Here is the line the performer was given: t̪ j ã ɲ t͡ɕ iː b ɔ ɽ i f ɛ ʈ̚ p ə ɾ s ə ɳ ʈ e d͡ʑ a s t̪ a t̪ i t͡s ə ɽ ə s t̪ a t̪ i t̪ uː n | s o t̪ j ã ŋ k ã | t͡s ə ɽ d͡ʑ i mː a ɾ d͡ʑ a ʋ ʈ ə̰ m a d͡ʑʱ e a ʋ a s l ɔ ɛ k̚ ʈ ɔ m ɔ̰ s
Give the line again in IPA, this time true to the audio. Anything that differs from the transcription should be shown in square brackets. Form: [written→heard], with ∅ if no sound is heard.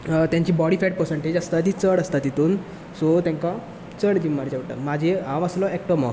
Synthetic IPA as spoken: t̪ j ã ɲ t͡ɕ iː b ɔ ɽ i f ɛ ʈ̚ p ə ɾ s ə ɳ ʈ e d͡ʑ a s t̪ a t̪ i t͡s ə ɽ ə s t̪ a t̪ i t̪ uː n | s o t̪ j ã ŋ k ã | t͡s ə ɽ d͡ʑ i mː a ɾ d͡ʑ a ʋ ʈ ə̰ m a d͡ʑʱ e a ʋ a s l ɔ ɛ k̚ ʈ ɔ m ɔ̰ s